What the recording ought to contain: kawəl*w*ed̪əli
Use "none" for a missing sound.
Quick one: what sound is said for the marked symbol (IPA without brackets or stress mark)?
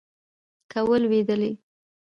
w